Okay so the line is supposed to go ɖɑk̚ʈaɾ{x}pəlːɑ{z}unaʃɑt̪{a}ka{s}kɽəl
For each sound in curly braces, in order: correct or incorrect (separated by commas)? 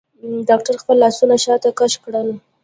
correct, incorrect, correct, incorrect